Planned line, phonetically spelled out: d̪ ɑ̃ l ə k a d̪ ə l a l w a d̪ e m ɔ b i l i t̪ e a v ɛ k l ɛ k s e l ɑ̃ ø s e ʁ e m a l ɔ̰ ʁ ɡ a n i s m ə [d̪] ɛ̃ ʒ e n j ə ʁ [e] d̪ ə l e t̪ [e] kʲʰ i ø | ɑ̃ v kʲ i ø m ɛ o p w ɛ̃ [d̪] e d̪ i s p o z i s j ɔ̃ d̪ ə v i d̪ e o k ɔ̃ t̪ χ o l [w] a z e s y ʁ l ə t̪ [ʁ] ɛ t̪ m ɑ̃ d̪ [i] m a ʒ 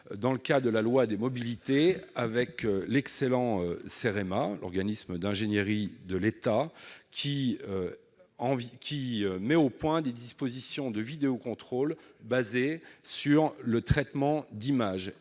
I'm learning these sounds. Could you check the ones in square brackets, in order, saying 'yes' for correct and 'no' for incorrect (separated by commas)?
yes, no, no, yes, no, no, yes